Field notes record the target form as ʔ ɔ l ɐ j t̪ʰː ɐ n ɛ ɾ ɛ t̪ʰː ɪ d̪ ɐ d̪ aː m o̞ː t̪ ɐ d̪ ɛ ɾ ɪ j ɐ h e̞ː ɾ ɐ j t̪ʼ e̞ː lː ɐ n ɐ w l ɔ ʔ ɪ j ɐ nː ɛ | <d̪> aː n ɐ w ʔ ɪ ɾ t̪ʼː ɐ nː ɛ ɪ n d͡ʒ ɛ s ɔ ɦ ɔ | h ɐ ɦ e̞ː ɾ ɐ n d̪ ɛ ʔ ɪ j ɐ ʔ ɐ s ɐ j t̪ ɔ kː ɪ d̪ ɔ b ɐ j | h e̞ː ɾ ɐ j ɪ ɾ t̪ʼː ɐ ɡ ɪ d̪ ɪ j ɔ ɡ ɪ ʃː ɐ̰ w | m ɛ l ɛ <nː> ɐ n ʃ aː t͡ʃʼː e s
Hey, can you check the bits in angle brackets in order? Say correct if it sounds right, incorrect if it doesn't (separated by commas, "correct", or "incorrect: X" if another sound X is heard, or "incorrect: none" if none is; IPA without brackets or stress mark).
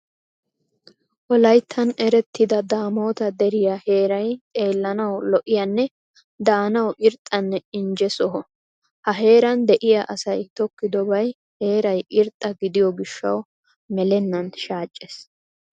correct, correct